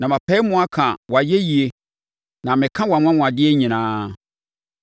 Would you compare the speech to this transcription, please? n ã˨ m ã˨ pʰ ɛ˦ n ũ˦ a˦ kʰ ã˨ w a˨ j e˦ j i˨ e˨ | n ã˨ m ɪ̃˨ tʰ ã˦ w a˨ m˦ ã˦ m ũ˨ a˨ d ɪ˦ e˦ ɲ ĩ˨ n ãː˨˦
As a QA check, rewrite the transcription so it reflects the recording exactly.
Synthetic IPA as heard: n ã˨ m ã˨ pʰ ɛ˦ m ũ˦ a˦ kʰ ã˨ w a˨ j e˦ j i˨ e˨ | n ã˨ m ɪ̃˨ kʰ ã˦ w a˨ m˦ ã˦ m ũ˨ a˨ d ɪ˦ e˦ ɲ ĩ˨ n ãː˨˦